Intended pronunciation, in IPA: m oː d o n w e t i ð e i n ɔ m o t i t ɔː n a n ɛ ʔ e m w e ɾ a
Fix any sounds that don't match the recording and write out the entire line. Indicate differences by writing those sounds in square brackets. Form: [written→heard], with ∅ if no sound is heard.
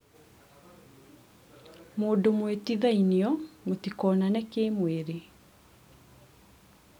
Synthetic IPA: m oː d o [n→m] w e t i ð [e→a] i n ɔ m o t i [t→k] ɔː n a n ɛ [ʔ→k] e m w e ɾ [a→e]